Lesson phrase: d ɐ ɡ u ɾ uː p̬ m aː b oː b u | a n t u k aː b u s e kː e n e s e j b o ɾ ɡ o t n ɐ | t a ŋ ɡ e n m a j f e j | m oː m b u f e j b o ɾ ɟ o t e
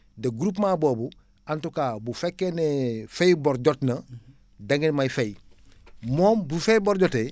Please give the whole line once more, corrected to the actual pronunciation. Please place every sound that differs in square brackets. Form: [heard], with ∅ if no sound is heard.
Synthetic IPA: d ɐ ɡ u ɾ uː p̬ m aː b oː b u | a n t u k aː b u [f] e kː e n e [f] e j b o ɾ [ɟ] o t n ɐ | [d] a ŋ ɡ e n m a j f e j | m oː m b u f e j b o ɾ ɟ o t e